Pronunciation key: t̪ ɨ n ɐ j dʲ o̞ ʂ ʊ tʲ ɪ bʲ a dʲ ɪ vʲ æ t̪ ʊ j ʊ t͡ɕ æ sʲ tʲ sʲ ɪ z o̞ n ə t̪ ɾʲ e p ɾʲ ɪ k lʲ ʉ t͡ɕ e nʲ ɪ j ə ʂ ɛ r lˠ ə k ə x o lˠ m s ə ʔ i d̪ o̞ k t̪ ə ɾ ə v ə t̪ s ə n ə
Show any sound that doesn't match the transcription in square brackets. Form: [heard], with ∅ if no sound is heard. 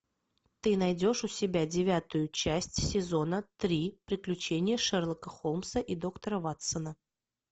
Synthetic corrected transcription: t̪ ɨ n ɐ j dʲ o̞ ʂ ʊ [sʲ] ɪ bʲ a dʲ ɪ vʲ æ t̪ ʊ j ʊ t͡ɕ æ sʲ tʲ sʲ ɪ z o̞ n ə t̪ ɾʲ [i] p ɾʲ ɪ k lʲ ʉ t͡ɕ e nʲ ɪ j ə ʂ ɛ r lˠ ə k ə x o lˠ m s ə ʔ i d̪ o̞ k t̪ ə ɾ ə v [a] t̪ s ə n ə